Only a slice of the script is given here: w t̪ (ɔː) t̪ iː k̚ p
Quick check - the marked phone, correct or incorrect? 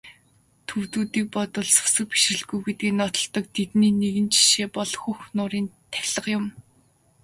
incorrect